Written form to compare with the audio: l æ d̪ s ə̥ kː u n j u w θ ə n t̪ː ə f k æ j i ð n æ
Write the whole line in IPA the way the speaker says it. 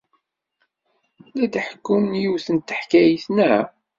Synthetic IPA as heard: l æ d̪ ħ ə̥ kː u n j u w θ ə n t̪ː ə ħ k æ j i θ n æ